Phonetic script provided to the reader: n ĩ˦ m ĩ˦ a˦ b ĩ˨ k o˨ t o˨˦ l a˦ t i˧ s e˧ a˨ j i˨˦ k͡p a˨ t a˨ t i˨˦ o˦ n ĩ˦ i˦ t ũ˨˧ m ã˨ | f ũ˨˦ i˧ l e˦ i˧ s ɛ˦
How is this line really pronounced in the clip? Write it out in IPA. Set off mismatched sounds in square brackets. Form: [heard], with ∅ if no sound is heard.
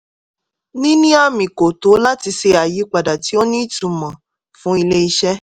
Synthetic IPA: n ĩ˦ [n] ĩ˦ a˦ [m] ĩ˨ k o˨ t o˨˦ l a˦ t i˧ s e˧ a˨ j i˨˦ k͡p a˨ [d] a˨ t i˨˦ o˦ n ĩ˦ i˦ t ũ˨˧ m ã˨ | f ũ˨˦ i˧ l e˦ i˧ [ʃ] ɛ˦